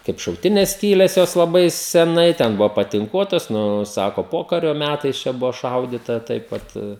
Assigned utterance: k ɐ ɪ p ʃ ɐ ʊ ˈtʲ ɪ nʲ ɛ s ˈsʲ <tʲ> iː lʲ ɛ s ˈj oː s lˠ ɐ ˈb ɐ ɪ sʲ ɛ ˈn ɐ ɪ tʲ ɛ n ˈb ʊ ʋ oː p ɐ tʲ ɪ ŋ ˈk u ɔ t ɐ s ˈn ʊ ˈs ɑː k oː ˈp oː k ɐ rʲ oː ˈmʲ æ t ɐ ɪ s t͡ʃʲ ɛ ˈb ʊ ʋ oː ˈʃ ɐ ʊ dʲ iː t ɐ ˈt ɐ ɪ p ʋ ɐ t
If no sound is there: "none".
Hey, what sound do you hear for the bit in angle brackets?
kʲ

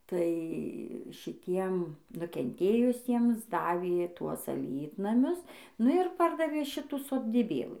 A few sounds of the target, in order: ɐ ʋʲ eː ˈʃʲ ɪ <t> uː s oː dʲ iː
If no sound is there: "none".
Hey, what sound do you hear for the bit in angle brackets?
t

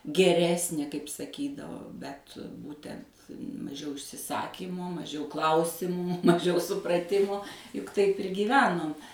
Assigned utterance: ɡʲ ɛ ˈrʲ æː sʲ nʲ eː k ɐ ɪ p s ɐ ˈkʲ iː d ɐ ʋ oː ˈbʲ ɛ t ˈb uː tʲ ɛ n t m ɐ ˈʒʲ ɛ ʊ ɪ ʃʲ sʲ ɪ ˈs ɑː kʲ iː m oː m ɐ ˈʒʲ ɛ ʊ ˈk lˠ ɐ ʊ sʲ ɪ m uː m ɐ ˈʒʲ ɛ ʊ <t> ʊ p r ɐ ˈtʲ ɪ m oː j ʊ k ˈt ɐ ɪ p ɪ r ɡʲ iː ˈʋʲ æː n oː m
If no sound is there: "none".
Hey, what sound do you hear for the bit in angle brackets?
s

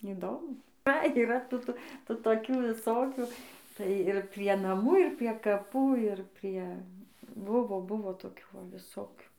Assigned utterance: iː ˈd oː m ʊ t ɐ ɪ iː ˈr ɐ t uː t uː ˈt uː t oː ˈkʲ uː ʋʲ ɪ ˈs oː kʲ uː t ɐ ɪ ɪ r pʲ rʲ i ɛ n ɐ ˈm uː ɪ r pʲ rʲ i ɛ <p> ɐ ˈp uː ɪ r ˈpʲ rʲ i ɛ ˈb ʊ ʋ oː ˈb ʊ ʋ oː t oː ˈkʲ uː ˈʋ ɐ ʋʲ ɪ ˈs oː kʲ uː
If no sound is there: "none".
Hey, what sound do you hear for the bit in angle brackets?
k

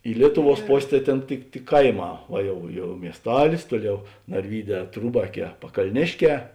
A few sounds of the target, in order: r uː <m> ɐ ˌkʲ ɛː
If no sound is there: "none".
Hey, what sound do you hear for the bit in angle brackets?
b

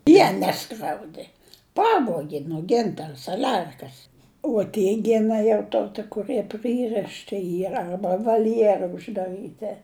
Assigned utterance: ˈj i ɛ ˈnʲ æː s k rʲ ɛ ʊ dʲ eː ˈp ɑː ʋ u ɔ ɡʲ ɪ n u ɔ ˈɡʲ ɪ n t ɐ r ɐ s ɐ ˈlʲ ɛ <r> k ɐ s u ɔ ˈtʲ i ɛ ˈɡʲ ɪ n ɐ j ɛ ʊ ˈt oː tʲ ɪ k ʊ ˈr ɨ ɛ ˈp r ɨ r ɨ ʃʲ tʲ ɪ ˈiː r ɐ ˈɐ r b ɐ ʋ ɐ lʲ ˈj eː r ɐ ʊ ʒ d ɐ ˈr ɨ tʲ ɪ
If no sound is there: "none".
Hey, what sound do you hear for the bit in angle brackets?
r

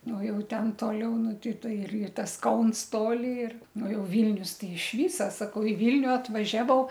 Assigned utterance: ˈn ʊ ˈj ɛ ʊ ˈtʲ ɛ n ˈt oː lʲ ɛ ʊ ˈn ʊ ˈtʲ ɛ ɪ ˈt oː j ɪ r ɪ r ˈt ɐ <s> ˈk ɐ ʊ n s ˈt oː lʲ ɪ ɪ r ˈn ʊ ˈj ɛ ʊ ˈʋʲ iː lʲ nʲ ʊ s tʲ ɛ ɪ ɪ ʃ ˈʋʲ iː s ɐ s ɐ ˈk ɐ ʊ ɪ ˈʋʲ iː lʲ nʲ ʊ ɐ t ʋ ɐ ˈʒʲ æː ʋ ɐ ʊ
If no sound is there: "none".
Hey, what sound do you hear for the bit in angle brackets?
s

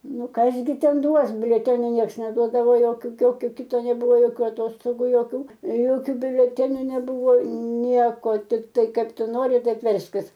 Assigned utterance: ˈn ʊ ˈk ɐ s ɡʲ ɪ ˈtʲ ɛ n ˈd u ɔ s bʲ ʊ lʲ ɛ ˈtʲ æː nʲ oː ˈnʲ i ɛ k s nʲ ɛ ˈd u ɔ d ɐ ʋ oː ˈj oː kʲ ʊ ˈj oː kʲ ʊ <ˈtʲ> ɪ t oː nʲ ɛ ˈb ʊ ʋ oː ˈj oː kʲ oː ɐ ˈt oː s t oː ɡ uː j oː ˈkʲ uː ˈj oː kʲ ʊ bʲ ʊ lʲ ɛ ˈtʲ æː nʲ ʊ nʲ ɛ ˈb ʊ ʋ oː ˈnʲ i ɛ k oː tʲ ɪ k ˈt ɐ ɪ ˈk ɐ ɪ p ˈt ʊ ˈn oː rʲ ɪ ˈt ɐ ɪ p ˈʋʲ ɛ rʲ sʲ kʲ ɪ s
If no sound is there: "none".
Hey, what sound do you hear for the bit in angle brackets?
kʲ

